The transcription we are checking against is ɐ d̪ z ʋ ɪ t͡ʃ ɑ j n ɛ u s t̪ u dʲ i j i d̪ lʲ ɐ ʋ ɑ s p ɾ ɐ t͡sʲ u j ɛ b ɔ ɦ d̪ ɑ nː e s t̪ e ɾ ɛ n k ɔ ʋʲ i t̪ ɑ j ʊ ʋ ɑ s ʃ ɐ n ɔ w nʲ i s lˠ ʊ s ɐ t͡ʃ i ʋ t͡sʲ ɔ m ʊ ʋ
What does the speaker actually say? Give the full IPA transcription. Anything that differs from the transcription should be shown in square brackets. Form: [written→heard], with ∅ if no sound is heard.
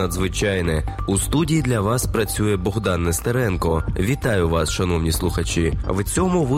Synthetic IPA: ɐ d̪ z ʋ ɪ t͡ʃ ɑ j n ɛ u s t̪ u dʲ i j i d̪ lʲ ɐ ʋ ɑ s p ɾ ɐ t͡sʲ u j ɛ b ɔ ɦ d̪ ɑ nː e s t̪ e ɾ ɛ n k ɔ ʋʲ i t̪ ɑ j ʊ ʋ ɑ s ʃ ɐ n ɔ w nʲ i s lˠ ʊ [s→x] ɐ t͡ʃ i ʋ t͡sʲ ɔ m ʊ ʋ